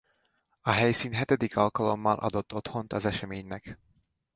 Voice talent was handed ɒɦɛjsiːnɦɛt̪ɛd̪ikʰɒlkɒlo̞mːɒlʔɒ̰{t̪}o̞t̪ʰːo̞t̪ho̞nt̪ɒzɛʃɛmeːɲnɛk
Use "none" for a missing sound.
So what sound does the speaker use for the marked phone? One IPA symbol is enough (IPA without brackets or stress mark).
d̪